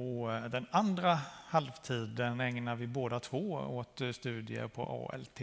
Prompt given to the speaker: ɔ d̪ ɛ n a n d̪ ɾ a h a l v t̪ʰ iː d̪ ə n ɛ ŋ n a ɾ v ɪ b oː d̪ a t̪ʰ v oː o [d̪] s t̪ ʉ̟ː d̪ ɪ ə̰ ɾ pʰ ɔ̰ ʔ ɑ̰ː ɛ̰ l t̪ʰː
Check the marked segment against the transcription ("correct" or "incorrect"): incorrect